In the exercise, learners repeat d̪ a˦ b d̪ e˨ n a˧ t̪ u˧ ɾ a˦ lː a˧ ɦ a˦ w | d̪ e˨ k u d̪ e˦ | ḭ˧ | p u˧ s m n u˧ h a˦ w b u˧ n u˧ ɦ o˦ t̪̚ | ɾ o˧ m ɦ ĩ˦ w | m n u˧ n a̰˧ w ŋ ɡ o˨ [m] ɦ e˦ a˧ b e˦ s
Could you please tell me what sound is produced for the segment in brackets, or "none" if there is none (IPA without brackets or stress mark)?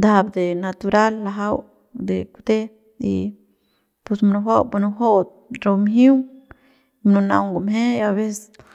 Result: m